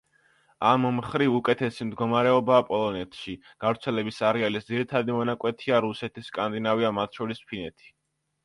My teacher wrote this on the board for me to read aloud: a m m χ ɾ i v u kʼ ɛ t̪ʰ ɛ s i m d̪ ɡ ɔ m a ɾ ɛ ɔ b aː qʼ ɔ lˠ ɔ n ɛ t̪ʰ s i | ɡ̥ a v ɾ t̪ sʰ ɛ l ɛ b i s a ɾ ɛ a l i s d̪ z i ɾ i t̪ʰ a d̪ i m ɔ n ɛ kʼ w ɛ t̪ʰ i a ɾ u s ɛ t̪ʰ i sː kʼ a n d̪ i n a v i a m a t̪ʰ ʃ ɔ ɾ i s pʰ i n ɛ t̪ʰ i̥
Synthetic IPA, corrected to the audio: a m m χ ɾ i v u kʼ ɛ t̪ʰ ɛ s i m d̪ ɡ ɔ m a ɾ ɛ ɔ b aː pʼ ɔ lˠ ɔ n ɛ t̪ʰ ʃ i | ɡ̥ a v ɾ t̪ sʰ ɛ l ɛ b i s a ɾ ɛ a l i s d̪ z i ɾ i t̪ʰ a d̪ i m ɔ n a kʼ w ɛ t̪ʰ i a ɾ u s ɛ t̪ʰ i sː kʼ a n d̪ i n a v i a m a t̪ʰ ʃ ɔ ɾ i s pʰ i n ɛ t̪ʰ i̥